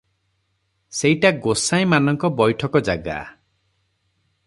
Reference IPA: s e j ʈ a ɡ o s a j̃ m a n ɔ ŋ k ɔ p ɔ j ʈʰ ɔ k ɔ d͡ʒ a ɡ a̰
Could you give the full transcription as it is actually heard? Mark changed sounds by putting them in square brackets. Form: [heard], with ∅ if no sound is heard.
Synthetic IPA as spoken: s e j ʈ a ɡ o s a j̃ m a n ɔ ŋ k ɔ [b] ɔ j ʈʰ ɔ k ɔ d͡ʒ a ɡ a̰